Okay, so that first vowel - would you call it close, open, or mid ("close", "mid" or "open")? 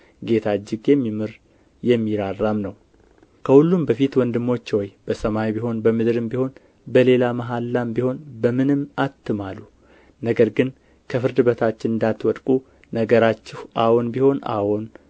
mid